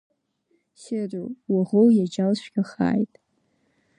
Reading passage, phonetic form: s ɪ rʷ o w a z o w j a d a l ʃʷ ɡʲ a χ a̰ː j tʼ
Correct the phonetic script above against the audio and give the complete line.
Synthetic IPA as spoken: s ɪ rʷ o w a ʁ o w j a d͡ʒ a l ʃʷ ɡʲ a χ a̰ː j tʼ